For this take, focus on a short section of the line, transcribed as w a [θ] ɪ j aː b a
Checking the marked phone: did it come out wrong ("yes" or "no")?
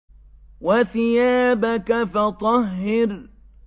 no